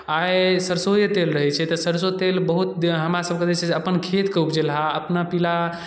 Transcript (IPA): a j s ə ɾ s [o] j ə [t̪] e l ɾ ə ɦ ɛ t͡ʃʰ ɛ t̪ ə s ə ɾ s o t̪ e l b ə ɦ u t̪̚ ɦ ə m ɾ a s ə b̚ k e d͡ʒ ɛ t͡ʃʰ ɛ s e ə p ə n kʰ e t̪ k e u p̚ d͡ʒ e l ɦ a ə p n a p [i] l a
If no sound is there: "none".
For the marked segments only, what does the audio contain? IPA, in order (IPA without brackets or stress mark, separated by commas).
o, t̪, i